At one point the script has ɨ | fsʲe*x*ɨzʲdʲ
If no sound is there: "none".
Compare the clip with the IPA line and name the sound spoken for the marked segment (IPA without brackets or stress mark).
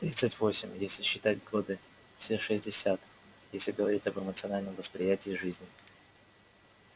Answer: ʂ